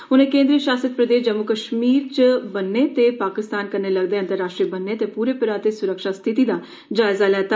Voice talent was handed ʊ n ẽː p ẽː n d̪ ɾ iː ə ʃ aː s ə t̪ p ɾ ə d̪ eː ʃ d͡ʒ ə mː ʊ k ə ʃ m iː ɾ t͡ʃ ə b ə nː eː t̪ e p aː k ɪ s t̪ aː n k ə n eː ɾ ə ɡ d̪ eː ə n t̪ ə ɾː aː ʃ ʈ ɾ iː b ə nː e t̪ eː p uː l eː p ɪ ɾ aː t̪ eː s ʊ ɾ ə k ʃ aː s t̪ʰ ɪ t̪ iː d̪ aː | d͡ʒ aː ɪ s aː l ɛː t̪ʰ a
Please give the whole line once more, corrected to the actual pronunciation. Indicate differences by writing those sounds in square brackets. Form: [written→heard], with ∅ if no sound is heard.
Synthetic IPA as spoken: ʊ n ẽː [p→k] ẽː n d̪ ɾ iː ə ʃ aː s ə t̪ p ɾ ə d̪ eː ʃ d͡ʒ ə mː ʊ k ə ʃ m iː ɾ t͡ʃ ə b ə nː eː t̪ e p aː k ɪ s t̪ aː n k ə n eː [ɾ→l] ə ɡ d̪ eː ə n t̪ ə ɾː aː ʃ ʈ ɾ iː b ə nː e t̪ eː p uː [l→ɾ] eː p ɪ ɾ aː t̪ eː s ʊ ɾ ə k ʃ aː s t̪ʰ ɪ t̪ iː d̪ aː | d͡ʒ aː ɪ [s→z] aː l ɛː [t̪ʰ→t̪] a